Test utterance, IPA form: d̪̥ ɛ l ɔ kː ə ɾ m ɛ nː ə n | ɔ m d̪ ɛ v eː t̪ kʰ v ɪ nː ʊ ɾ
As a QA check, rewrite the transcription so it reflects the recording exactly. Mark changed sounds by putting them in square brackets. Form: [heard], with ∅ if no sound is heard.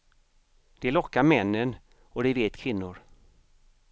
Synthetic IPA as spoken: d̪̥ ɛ l ɔ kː [a] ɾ m ɛ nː ə n | ɔ [∅] d̪ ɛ v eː t̪ kʰ v ɪ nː ʊ ɾ